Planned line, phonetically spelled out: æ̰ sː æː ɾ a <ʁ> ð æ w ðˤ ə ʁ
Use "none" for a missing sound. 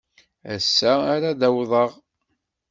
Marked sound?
none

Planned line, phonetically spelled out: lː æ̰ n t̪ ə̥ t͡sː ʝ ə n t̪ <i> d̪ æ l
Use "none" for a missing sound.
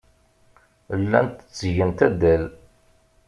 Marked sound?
æ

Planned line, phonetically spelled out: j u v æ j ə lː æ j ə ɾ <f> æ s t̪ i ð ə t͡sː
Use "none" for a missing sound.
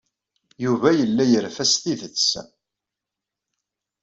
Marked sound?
f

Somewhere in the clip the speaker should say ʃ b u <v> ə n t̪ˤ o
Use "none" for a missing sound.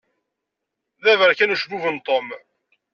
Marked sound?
v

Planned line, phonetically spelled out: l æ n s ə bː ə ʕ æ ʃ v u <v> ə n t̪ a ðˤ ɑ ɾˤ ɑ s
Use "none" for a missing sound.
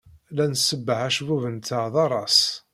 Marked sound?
v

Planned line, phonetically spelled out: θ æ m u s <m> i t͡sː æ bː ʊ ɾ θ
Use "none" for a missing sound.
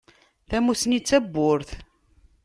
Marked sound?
n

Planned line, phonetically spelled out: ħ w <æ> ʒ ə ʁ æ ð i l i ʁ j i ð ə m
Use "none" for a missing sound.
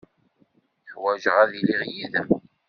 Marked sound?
æ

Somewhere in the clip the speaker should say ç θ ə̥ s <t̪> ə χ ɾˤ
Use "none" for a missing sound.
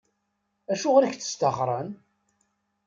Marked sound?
t̪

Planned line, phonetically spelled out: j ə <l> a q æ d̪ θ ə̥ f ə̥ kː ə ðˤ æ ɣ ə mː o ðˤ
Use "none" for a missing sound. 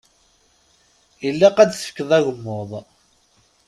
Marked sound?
lː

